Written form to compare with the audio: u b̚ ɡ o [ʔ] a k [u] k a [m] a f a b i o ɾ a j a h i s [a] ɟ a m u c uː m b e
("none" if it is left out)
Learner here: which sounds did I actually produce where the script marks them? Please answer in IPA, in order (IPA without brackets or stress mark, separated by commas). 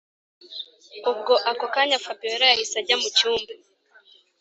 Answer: ʔ, o, ɲ, a